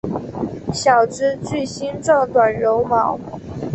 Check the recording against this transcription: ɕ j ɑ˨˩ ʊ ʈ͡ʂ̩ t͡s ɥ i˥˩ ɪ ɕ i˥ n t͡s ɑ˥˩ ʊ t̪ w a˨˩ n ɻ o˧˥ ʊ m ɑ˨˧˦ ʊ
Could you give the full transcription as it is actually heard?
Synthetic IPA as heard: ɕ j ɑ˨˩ ʊ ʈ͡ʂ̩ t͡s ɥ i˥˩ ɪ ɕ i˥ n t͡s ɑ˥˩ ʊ t̪ w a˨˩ n ɻ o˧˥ ʊ m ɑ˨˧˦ ʊ